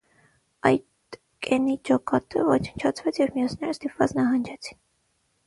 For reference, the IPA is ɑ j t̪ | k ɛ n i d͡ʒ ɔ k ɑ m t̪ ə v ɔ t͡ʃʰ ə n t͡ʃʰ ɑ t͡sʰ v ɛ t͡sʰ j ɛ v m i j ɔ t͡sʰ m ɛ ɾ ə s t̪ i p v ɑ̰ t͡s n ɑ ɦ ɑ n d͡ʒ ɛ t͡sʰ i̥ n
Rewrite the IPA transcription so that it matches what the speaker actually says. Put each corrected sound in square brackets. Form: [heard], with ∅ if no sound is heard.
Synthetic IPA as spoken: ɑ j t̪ | k ɛ n i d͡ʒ ɔ k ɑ [∅] t̪ ə v ɔ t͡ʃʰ ə n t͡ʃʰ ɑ t͡sʰ v ɛ t͡sʰ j ɛ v m i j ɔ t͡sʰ [n] ɛ ɾ ə s t̪ i p v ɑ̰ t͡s n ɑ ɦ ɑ n d͡ʒ ɛ t͡sʰ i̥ n